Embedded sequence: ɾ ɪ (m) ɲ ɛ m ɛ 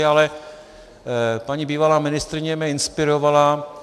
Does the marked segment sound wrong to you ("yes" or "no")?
yes